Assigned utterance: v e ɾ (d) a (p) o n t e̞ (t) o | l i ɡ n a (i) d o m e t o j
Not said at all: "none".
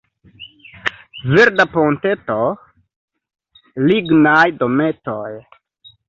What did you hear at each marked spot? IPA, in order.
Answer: d, p, t, j

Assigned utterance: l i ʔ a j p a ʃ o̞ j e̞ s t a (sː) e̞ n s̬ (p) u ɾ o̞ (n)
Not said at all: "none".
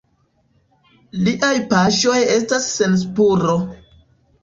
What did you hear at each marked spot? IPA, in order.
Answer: sː, p, none

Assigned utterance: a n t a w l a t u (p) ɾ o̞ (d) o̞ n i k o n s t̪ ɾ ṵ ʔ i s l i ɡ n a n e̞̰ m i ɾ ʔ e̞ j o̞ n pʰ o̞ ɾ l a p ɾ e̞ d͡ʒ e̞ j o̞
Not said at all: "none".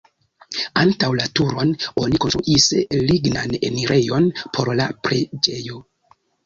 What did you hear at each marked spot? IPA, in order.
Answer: none, n

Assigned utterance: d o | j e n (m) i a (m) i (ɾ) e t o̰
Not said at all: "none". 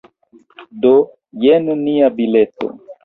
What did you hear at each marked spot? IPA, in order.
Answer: n, b, l

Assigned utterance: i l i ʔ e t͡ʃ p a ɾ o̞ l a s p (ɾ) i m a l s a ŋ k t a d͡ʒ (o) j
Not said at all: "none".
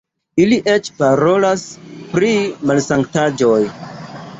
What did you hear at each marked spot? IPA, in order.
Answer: ɾ, o

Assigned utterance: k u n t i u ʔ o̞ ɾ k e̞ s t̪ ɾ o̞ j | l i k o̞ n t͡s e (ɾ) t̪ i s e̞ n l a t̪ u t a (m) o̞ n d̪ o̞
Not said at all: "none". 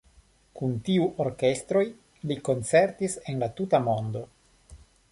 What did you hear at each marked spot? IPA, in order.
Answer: ɾ, m

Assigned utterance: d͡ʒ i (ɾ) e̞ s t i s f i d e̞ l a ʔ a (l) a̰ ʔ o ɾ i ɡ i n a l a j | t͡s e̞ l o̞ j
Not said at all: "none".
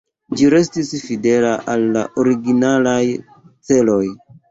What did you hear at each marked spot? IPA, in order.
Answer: ɾ, lː

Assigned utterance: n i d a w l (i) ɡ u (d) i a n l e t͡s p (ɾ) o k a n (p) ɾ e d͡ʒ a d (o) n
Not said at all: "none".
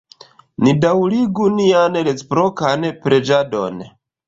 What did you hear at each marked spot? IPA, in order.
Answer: i, n, ɾ, p, o

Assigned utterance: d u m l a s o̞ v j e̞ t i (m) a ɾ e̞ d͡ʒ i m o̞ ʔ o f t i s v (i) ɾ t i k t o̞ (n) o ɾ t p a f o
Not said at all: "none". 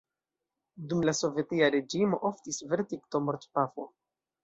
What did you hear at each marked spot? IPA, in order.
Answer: none, e, m

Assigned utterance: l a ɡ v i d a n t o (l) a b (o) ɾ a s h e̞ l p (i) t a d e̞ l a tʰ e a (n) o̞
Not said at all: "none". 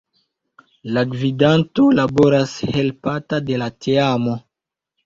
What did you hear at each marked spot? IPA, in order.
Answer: l, o, a, m

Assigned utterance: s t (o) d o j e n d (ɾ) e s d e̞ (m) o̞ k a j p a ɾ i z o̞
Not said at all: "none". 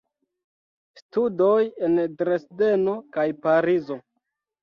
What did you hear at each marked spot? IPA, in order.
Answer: u, ɾ, n

